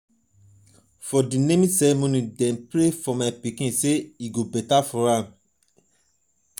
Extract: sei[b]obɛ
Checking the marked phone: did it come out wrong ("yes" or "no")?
yes